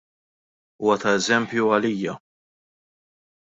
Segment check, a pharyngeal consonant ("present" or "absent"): absent